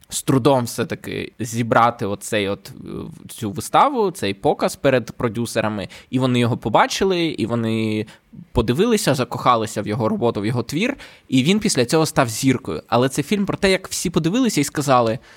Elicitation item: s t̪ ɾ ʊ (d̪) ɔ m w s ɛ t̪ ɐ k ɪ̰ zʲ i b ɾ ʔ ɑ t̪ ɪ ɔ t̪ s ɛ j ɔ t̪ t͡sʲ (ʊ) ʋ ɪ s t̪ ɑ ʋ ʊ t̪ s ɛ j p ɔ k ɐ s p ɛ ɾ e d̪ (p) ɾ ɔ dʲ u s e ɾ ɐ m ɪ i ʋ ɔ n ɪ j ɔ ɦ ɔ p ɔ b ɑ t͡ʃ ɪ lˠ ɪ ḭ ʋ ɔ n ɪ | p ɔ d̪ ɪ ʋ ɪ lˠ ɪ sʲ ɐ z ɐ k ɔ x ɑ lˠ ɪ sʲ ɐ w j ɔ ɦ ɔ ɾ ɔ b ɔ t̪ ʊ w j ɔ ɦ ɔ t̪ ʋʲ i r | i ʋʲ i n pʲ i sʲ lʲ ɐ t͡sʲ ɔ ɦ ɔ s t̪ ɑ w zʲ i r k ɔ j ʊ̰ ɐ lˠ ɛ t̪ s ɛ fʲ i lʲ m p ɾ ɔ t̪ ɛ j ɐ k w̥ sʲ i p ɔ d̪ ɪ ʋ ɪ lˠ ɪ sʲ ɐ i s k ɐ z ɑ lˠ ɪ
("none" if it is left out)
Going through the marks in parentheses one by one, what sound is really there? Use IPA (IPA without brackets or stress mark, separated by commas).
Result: d̪, u, p